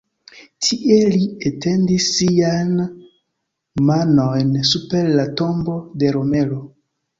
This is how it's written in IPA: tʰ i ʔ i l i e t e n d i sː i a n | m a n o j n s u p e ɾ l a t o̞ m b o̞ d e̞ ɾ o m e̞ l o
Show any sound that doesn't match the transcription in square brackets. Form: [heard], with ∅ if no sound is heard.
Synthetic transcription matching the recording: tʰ i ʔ [e] l i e t e n d i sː i a n | m a n o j n s u p e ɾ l a t o̞ m b o̞ d e̞ ɾ o m e̞ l o